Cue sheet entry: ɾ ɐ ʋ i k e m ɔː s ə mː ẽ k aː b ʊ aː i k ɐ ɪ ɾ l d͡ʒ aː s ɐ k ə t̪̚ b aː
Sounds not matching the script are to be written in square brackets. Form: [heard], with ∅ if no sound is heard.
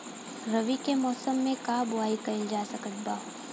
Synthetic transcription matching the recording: ɾ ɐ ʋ i k e m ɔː s ə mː ẽ k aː b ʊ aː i k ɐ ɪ [∅] l d͡ʒ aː s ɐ k ə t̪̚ b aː

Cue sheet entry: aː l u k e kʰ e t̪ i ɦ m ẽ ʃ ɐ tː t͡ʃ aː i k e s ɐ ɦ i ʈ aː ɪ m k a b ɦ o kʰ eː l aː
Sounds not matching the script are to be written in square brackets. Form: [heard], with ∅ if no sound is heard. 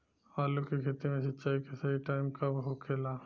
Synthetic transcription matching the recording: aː l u k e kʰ e t̪ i [∅] m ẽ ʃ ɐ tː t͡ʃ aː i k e s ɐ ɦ i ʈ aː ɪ m k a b ɦ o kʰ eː l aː

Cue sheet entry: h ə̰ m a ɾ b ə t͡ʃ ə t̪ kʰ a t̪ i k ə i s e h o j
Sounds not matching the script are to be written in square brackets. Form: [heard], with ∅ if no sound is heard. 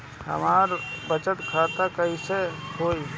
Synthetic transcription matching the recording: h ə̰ m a ɾ b ə t͡ʃ ə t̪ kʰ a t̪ [a] k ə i s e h o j

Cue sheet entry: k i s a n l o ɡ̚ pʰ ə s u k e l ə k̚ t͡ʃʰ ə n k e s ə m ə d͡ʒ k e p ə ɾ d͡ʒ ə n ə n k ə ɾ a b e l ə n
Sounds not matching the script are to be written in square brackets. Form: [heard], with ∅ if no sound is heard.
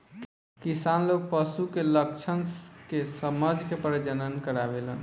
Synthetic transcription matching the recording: k i s a n l o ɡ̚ [p] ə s u k e l ə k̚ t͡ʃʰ ə n k e s ə m ə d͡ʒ k e p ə ɾ d͡ʒ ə n ə n k ə ɾ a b e l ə n

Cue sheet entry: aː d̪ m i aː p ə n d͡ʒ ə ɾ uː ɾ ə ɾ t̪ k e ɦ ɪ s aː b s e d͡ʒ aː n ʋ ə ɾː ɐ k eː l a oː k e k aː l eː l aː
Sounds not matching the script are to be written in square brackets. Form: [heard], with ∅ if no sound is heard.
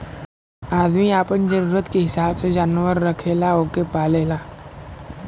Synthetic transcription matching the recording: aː d̪ m i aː p ə n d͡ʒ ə ɾ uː ɾ ə [∅] t̪ k e ɦ ɪ s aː b s e d͡ʒ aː n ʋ ə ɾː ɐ [kʰ] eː l a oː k e [p] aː l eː l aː

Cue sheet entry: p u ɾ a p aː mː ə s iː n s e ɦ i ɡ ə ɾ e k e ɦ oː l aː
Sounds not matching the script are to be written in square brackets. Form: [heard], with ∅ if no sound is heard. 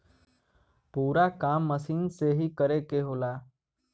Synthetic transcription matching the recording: p [uː] ɾ a [k] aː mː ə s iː n s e ɦ i [k] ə ɾ e k e ɦ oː l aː

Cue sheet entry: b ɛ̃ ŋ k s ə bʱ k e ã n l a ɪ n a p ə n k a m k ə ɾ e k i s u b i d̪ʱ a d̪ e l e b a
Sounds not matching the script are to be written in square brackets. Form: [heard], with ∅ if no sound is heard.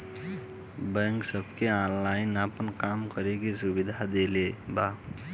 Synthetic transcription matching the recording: b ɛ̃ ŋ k s ə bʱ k e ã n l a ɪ n a p ə n k a m k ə ɾ e k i s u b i d̪ʱ a d̪ e l e b a

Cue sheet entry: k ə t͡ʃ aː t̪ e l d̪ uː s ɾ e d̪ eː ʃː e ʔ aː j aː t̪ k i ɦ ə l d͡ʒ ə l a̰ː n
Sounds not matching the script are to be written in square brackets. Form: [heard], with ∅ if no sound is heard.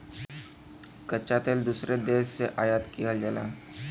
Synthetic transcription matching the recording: k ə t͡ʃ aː t̪ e l d̪ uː s ɾ e d̪ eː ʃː e ʔ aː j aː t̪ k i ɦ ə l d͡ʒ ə l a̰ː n

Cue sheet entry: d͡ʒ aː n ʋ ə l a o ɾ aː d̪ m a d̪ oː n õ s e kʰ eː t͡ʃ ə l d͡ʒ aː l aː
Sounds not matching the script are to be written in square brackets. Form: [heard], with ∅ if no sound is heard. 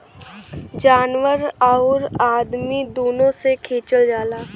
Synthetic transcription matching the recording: d͡ʒ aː n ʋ ə [ɾ] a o ɾ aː d̪ m [i] d̪ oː n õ s e kʰ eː t͡ʃ ə l d͡ʒ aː l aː

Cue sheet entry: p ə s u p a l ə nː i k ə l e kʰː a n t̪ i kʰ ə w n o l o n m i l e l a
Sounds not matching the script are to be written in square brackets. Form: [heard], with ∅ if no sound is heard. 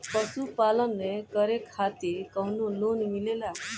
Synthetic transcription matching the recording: p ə s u p a l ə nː [e] k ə [ɾ] e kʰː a [∅] t̪ i [k] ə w n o l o n m i l e l a

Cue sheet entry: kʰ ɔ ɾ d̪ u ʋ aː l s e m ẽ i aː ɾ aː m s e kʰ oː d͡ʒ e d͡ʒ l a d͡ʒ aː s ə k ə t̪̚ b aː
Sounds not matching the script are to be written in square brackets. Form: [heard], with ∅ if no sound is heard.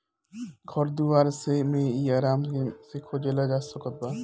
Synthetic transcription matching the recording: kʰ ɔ ɾ d̪ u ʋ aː [ɾ] s e m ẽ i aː ɾ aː m s e kʰ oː d͡ʒ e [∅] l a d͡ʒ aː s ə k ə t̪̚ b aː

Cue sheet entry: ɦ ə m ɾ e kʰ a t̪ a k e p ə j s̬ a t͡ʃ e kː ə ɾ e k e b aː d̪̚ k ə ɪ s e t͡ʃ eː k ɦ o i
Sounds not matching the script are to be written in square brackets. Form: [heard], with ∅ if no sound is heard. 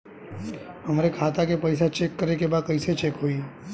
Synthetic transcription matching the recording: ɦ ə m ɾ e kʰ a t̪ a k e p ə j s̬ a t͡ʃ e kː ə ɾ e k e b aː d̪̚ k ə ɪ s e t͡ʃ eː k ɦ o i

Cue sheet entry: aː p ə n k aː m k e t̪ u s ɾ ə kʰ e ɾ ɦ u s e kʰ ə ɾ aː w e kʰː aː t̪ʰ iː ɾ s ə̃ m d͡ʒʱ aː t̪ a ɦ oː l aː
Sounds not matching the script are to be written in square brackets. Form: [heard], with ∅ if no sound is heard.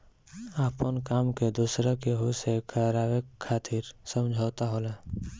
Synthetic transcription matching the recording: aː p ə n k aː m k e [d̪] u s ɾ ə [k] e [∅] ɦ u s e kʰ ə ɾ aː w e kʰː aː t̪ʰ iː ɾ s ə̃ m d͡ʒʱ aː t̪ a ɦ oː l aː

